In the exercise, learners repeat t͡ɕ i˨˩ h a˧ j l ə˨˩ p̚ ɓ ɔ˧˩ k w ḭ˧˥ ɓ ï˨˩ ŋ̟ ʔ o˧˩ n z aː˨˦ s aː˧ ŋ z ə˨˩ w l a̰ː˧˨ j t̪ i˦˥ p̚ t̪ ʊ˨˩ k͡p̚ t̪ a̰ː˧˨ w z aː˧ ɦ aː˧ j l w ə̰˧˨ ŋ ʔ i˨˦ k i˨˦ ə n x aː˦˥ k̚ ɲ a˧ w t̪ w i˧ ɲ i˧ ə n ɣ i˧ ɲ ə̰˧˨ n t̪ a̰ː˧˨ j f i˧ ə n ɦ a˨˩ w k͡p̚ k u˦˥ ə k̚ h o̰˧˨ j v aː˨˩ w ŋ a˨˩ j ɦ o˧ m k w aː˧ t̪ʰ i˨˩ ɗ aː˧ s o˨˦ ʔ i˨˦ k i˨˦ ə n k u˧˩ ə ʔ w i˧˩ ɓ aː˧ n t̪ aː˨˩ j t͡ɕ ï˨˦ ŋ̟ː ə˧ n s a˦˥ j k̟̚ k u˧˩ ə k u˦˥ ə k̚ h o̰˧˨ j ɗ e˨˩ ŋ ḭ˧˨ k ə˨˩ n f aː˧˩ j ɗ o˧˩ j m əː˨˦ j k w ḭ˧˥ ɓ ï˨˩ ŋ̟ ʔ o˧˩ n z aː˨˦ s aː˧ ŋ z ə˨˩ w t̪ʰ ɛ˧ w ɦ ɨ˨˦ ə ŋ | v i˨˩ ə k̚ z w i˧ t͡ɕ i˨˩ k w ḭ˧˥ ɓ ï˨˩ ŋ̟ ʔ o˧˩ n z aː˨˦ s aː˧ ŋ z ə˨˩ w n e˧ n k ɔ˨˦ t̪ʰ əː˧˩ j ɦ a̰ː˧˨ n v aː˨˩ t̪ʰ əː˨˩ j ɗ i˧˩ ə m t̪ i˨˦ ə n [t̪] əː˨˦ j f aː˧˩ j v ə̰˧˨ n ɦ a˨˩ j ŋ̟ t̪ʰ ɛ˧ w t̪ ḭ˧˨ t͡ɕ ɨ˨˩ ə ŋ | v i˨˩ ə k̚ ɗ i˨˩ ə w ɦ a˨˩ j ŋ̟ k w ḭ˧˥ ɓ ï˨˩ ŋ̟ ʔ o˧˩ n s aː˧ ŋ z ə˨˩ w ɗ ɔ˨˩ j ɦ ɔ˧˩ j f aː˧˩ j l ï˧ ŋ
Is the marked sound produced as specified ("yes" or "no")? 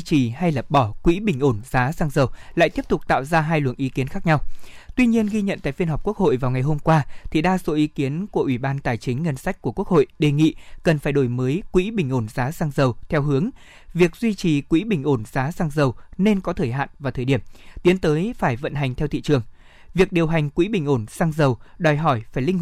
yes